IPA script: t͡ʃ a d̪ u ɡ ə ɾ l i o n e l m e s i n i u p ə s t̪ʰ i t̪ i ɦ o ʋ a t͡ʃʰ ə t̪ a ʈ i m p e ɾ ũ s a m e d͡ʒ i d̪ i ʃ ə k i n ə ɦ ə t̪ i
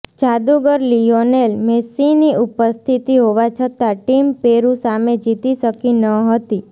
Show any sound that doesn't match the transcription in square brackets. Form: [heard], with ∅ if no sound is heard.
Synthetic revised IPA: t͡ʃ a d̪ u ɡ ə ɾ l i o n e l m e s i n i u p ə s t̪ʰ i t̪ i ɦ o ʋ a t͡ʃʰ ə t̪ a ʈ i m p e ɾ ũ s a m e d͡ʒ i [t̪] i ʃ ə k i n ə ɦ ə t̪ i